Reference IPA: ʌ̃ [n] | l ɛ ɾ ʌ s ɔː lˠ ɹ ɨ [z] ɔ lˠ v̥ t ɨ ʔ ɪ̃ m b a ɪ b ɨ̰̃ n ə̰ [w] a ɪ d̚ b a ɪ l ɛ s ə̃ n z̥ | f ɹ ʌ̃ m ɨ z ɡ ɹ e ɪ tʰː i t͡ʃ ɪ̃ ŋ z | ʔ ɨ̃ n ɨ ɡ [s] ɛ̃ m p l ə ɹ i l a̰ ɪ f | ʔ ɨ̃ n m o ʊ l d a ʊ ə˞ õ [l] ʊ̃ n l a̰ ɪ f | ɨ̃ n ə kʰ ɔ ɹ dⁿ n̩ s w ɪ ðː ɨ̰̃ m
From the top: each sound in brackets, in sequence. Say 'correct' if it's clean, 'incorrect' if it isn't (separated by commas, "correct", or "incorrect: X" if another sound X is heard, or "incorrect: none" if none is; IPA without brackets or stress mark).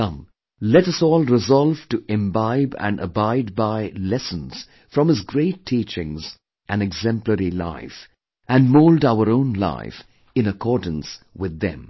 incorrect: m, correct, incorrect: b, incorrect: z, incorrect: none